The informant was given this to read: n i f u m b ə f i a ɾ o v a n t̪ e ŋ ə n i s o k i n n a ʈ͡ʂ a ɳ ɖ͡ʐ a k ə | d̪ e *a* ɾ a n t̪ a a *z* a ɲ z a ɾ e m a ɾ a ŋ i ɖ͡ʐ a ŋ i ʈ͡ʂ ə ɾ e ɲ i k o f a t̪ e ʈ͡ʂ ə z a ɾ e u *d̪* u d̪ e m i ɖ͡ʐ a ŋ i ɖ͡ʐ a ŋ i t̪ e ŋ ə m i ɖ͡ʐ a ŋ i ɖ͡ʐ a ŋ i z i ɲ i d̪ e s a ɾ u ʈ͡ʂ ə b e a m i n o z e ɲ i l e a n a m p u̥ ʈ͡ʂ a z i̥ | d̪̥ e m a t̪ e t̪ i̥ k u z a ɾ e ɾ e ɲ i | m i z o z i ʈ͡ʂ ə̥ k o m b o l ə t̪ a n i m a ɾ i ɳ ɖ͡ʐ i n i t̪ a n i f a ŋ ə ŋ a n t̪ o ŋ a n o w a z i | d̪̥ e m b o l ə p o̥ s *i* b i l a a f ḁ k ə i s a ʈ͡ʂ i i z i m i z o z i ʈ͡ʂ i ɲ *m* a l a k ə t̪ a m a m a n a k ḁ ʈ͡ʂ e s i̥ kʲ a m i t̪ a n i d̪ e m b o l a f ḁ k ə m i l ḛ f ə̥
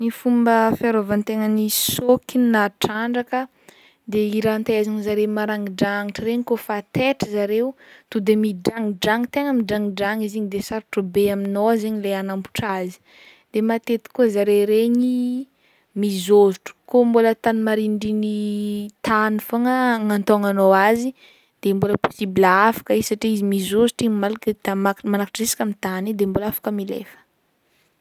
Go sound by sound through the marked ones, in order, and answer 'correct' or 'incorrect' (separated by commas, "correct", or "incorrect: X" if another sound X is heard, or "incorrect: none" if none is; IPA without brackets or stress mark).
incorrect: i, correct, incorrect: t̪, correct, correct